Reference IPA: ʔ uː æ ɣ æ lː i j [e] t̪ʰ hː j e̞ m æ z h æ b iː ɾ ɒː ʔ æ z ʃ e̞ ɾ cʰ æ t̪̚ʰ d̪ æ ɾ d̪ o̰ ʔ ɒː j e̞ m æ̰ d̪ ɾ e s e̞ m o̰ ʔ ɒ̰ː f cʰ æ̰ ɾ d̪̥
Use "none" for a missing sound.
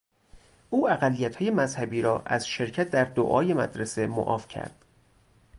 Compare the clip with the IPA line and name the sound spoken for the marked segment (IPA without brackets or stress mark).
æ